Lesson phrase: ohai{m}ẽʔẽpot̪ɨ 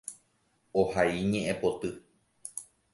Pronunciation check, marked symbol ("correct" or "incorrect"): incorrect